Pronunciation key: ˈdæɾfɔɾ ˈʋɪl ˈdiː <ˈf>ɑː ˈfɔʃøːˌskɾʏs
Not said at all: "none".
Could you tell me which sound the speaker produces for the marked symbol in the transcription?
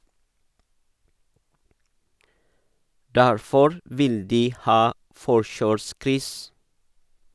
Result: h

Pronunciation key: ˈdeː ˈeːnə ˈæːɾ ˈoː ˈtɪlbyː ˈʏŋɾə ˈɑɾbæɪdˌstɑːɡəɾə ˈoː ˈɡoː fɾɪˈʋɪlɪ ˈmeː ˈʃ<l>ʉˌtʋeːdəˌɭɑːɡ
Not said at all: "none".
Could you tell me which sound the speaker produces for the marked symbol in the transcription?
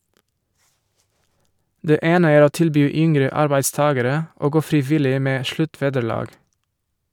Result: l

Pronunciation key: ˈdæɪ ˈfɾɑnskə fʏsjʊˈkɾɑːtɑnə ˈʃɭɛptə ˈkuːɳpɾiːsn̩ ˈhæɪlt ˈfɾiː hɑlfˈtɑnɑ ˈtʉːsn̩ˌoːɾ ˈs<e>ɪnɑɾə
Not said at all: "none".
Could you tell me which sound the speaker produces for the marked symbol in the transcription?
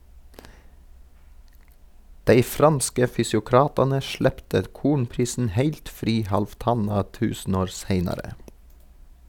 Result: e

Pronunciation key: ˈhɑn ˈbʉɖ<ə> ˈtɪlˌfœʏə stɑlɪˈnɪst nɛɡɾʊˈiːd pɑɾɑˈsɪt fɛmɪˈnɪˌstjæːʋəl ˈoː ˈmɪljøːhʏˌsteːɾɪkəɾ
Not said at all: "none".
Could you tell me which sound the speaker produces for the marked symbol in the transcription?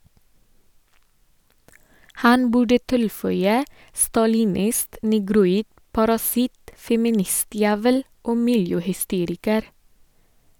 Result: ə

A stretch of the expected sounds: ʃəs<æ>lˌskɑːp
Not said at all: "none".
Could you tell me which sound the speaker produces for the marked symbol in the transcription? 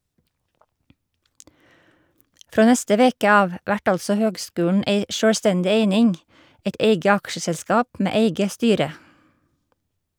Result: ɛ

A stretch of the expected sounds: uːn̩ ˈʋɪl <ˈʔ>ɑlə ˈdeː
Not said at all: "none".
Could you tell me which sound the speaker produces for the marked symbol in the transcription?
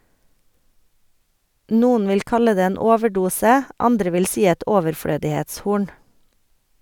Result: k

